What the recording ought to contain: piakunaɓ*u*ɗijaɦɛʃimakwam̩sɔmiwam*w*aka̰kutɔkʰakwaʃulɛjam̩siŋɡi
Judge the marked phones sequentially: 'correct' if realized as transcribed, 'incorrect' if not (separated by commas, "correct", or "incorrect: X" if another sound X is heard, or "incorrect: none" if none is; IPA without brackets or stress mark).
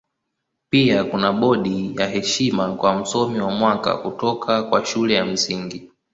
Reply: incorrect: ɔ, correct